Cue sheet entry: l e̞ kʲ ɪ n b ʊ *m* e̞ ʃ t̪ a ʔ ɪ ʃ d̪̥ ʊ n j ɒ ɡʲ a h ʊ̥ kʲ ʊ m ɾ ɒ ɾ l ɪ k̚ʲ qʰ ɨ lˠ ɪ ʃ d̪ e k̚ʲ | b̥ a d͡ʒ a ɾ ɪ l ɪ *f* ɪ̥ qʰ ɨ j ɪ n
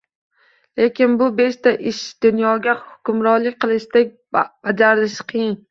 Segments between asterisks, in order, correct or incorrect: incorrect: b, incorrect: ʃ

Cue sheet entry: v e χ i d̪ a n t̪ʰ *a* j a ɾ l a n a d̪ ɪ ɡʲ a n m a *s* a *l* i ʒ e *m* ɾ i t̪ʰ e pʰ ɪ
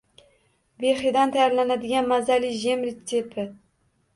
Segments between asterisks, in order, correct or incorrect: correct, incorrect: z, correct, correct

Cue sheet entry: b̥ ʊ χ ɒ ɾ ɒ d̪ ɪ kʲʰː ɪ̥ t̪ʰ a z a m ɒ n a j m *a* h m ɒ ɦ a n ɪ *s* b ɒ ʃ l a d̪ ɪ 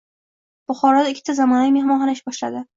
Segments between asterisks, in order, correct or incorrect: incorrect: e, incorrect: ʃ

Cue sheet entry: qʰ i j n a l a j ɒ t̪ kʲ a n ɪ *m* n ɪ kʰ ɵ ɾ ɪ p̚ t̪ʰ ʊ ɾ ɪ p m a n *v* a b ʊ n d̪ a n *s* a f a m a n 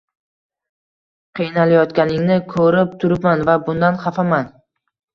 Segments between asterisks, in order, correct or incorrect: incorrect: ŋ, correct, incorrect: χ

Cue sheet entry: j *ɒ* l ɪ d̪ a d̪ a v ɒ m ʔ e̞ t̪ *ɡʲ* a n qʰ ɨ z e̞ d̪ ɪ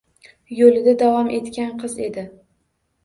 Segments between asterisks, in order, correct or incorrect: incorrect: o, incorrect: kʲ

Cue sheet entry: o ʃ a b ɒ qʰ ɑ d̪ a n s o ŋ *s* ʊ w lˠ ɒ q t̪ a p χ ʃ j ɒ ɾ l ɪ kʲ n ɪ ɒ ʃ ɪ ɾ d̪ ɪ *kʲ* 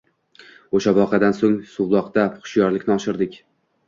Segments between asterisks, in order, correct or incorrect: correct, correct

